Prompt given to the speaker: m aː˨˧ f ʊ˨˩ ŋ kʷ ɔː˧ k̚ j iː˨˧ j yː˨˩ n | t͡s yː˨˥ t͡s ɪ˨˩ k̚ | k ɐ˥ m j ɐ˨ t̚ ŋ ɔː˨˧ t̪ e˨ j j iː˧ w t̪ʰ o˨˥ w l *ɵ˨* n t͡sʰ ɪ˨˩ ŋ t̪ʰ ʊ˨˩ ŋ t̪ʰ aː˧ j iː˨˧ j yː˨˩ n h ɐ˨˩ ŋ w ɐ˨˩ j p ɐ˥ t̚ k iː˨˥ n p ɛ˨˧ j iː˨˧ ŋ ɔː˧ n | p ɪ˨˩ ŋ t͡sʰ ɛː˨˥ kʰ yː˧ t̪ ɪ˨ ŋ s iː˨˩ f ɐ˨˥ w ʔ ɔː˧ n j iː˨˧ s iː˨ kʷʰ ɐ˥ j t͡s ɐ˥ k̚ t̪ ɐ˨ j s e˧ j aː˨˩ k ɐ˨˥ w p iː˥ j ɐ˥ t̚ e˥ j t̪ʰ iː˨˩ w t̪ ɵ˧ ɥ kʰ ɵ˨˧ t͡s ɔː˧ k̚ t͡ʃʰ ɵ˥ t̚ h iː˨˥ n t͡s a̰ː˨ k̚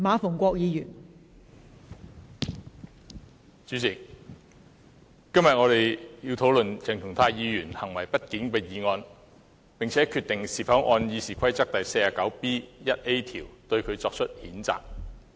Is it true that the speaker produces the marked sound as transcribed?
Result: yes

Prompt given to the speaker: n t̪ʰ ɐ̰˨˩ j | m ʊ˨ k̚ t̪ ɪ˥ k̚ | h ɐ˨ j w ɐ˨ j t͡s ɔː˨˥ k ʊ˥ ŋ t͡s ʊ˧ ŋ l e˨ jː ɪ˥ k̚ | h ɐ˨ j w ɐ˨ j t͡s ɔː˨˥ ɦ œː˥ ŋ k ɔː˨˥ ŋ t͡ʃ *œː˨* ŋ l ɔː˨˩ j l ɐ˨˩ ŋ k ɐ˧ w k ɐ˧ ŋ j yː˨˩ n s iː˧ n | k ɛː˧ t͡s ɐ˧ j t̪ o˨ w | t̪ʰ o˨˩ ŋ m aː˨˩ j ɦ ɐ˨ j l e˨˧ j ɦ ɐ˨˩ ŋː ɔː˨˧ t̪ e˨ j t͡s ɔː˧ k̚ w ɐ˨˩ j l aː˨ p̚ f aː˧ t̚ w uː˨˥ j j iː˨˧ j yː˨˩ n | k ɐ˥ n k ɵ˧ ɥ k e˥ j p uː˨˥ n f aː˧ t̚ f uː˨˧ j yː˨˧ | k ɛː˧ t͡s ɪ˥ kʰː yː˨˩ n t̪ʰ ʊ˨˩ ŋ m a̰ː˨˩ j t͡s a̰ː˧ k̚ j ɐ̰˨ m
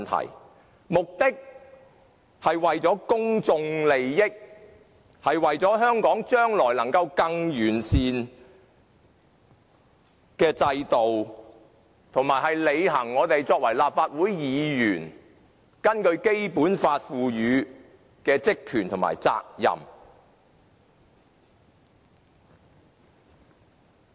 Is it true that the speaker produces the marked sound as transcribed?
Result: no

